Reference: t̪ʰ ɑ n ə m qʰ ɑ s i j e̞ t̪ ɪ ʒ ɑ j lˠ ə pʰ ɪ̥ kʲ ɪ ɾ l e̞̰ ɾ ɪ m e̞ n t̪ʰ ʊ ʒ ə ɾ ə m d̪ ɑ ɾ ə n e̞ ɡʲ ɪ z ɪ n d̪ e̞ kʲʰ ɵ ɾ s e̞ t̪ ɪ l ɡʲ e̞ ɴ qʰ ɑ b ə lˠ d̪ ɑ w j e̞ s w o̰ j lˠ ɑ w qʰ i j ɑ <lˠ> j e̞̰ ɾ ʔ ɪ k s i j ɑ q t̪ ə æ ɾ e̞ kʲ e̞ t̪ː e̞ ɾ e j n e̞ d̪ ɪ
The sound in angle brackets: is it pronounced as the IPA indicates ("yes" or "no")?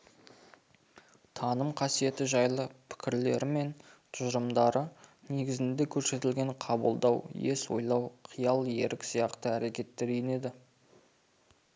yes